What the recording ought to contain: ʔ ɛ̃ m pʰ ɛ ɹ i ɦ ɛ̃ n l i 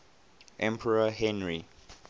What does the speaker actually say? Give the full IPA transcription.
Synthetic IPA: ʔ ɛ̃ m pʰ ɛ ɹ a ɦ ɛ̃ n ɹ i